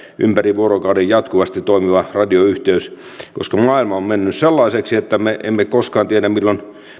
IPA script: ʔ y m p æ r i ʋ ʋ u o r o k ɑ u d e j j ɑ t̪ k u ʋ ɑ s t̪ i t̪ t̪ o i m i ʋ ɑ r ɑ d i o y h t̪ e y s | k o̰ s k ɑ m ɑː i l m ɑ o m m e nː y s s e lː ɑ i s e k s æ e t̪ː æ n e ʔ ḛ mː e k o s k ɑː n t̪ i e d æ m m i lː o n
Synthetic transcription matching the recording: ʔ y m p æ r i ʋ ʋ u o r o k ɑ u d e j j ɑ t̪ k u ʋ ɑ s t̪ i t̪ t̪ o i m i ʋ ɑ r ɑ d i o y h t̪ e y s | k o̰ s k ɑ m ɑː i l m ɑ o m m e nː y s s e lː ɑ i s e k s i e t̪ː æ m e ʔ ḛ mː e k o s k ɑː n t̪ i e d æ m m i lː o n